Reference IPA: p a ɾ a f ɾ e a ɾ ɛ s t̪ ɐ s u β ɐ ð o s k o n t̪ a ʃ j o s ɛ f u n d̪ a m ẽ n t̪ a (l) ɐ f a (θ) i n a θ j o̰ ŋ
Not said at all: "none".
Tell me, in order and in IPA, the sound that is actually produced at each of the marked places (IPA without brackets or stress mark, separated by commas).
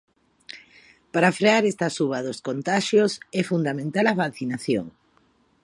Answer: l, θ